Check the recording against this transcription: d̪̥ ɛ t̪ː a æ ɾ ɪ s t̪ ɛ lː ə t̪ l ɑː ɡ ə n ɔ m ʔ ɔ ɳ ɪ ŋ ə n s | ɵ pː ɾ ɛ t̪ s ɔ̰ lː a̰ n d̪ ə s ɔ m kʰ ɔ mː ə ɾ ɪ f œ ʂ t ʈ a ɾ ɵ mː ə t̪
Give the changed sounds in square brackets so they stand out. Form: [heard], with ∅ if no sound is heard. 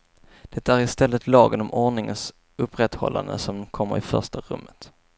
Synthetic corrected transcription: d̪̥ ɛ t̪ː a æ ɾ ɪ s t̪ ɛ lː ə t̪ l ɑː ɡ ə n ɔ m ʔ ɔ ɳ ɪ ŋ ə n s | ɵ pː ɾ ɛ t̪ [h] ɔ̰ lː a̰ n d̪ ə s ɔ m kʰ ɔ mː ə ɾ ɪ f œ ʂ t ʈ a ɾ ɵ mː ə t̪